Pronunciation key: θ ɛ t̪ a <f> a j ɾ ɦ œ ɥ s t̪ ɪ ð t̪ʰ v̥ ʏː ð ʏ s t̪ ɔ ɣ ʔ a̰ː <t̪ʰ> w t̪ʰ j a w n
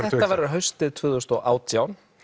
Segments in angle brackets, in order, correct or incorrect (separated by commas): incorrect, incorrect